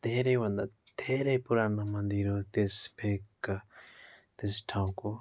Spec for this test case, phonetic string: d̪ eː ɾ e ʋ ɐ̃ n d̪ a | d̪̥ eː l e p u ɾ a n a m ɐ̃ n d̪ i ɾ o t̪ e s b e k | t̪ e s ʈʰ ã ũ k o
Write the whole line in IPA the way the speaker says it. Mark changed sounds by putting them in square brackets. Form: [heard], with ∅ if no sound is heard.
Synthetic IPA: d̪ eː ɾ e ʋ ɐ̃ n d̪ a | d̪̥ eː [ɾ] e p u ɾ a n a m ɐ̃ n d̪ i ɾ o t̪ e s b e k | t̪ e s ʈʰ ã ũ k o